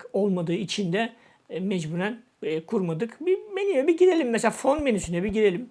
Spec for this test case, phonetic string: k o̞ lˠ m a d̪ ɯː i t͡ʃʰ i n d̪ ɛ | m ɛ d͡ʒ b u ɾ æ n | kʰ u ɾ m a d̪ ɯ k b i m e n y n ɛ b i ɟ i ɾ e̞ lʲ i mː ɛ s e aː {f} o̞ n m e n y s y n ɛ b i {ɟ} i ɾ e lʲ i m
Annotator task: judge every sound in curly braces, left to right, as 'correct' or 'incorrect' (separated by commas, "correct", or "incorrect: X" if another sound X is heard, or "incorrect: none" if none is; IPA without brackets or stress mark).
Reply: correct, correct